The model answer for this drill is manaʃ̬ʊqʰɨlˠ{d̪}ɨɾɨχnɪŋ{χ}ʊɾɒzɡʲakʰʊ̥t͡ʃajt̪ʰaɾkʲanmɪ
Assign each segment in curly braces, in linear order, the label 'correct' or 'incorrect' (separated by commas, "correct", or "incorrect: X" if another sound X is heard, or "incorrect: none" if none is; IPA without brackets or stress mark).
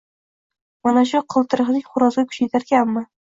incorrect: t̪, correct